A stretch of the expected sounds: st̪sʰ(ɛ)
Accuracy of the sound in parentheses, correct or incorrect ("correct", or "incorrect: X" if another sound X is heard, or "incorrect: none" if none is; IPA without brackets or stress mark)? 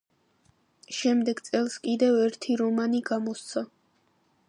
incorrect: a